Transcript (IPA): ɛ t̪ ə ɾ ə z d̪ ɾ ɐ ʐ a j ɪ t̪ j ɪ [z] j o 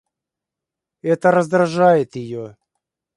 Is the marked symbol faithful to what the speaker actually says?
no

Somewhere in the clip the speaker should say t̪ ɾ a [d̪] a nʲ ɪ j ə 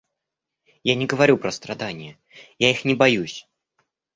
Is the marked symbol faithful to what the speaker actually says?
yes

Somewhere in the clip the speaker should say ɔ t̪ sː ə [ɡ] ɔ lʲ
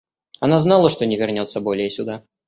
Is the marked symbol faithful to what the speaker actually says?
no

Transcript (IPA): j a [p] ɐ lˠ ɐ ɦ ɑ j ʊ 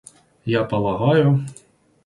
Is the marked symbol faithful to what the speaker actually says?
yes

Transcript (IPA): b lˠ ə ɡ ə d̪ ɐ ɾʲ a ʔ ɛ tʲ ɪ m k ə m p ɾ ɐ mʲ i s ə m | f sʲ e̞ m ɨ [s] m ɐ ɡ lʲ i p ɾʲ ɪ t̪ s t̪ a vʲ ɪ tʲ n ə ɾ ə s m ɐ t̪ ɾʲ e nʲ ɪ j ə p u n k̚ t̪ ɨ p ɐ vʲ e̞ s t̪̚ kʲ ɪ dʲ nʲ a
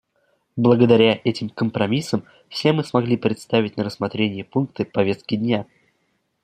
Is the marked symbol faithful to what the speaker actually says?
yes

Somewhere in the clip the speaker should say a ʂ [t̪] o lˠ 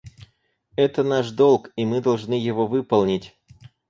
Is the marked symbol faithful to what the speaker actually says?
no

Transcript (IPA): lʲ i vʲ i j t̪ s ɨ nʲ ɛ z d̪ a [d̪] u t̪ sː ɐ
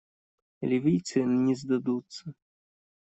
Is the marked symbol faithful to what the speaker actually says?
yes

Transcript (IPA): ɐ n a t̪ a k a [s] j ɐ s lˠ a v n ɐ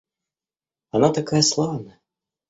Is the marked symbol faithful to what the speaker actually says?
no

